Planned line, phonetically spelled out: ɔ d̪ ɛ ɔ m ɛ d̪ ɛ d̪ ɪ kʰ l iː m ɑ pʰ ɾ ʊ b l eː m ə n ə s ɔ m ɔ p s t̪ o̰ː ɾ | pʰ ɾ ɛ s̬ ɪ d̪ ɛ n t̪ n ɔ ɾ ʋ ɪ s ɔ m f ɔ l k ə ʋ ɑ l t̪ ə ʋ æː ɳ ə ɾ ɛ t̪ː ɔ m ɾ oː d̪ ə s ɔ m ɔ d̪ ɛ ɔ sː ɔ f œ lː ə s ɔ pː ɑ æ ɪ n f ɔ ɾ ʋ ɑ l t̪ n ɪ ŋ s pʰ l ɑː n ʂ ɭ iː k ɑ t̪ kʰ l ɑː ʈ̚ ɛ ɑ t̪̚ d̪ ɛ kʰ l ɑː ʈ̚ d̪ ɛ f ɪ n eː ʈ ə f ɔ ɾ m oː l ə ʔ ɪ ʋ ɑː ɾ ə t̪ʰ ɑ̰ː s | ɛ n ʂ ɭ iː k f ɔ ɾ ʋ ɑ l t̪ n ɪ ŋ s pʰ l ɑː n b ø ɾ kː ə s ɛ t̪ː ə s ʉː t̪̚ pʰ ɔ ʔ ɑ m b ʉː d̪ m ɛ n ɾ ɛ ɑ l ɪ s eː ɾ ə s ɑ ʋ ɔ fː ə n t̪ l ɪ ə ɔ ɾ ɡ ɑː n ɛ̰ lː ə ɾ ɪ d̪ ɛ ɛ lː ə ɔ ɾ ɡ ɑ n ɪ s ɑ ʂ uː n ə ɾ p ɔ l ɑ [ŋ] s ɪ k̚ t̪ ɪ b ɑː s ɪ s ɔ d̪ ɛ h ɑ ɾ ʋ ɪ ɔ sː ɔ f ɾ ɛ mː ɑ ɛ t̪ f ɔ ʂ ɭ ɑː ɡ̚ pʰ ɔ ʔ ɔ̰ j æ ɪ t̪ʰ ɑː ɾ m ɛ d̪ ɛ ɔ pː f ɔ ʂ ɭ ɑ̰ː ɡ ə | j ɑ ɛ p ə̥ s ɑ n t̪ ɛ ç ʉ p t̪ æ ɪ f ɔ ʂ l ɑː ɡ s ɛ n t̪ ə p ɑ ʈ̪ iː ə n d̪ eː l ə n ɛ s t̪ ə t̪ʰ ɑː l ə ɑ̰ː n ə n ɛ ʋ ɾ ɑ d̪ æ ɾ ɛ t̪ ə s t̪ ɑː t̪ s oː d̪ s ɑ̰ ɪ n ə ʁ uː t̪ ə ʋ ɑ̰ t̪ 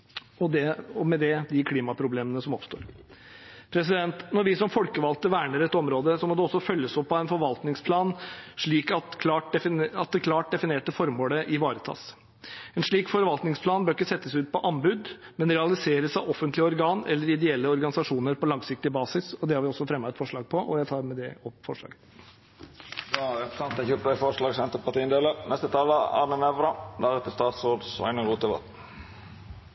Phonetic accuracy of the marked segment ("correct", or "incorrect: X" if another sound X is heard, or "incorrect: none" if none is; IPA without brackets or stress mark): correct